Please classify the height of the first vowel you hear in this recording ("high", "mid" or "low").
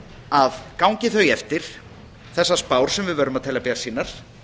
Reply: low